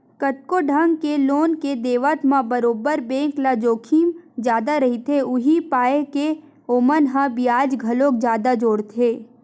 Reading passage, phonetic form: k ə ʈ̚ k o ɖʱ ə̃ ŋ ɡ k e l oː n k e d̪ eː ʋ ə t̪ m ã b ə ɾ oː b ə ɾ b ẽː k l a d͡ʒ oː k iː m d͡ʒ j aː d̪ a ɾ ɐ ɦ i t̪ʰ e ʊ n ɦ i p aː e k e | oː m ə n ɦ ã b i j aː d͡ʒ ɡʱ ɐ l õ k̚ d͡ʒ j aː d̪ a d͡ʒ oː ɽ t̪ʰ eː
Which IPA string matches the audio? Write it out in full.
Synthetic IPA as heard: k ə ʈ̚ k o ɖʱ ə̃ ŋ ɡ k e l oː n k e d̪ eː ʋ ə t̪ m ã b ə ɾ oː b ə ɾ b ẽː k l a d͡ʒ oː kʰ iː m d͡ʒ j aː d̪ a ɾ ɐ ɦ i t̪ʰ e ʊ ɦ i p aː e k e | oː m ə n ɦ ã b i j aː d͡ʒ ɡʱ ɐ l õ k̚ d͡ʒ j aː d̪ a d͡ʒ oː ɽ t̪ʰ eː